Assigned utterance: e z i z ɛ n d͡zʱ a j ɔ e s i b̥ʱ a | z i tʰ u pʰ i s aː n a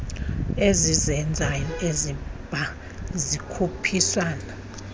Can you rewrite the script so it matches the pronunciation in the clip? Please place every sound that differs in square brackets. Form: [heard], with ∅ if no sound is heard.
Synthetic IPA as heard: e z i z ɛ n d͡zʱ a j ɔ e [z] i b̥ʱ a | z i [kʰ] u pʰ i s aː n a